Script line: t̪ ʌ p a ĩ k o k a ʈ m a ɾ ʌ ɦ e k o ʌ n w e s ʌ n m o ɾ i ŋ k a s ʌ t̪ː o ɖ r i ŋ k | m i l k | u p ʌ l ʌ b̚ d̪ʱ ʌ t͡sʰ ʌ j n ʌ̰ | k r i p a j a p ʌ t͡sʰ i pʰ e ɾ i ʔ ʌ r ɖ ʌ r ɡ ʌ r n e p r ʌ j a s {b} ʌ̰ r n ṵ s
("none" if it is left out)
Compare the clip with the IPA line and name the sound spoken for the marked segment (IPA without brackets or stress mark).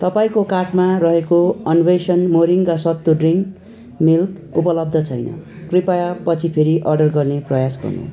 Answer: ɡ